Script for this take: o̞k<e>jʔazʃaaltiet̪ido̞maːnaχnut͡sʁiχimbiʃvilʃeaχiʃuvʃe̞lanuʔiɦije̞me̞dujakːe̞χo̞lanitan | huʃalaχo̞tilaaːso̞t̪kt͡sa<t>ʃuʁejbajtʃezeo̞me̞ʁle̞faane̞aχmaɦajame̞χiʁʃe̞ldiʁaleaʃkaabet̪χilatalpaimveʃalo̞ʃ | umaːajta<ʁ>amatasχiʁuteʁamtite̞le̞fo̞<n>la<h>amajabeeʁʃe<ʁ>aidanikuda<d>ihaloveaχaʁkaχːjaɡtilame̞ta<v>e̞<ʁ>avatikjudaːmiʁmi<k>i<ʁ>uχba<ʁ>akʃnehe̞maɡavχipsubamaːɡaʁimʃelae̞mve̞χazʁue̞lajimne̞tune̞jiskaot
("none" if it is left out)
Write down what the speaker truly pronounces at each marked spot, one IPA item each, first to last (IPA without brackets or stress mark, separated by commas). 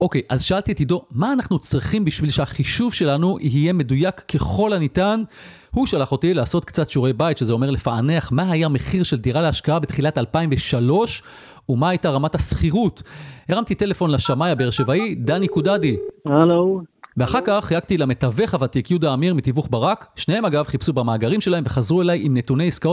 e, t, ʁ, n, ʃ, v, d, v, χ, t, v, ʁ